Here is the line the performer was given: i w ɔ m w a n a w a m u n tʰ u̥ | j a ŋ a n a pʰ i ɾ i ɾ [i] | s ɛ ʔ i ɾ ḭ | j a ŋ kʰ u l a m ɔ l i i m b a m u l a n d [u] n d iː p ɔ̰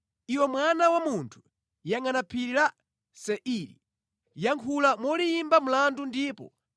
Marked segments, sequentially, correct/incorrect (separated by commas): incorrect, correct